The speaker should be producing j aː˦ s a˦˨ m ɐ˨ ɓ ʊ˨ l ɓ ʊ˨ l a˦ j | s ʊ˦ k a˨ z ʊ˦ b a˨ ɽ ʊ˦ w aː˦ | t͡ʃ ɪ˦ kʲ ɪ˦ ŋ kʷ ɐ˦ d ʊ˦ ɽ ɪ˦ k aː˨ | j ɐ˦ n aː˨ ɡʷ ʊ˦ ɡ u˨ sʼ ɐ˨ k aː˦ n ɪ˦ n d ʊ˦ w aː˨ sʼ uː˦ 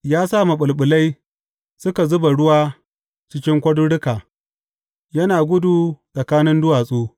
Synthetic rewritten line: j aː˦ s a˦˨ m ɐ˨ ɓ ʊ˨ l ɓ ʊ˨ l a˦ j | s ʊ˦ k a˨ z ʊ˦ b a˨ ɽ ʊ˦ w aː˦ | t͡ʃ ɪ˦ kʲ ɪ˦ ŋ kʷ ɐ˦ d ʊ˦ ɽ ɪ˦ k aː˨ | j ɐ˦ n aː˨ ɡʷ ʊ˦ d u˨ sʼ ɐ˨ k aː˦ n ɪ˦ n d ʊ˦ w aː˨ sʼ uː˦